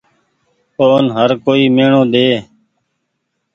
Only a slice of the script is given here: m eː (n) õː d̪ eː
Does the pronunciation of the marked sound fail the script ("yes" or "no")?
yes